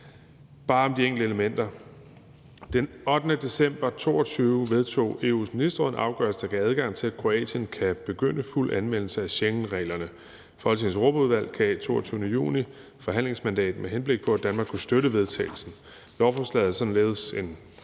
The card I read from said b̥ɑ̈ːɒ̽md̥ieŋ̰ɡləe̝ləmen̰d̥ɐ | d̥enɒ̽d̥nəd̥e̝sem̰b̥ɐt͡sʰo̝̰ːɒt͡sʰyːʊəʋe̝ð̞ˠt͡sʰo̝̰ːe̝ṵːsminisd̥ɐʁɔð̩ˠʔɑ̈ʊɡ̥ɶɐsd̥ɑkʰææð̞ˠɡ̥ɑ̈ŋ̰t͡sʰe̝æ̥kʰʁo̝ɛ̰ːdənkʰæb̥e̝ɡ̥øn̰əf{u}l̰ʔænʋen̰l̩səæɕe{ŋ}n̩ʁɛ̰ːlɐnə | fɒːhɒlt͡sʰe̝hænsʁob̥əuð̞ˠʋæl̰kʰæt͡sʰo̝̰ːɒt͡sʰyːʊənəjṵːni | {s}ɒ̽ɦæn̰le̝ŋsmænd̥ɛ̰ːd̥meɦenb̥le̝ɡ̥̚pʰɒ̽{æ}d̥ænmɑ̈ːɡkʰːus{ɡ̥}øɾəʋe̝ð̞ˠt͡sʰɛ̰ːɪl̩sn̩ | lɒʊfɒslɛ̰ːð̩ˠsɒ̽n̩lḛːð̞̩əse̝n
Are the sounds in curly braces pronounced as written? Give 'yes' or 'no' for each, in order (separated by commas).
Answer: yes, yes, no, yes, no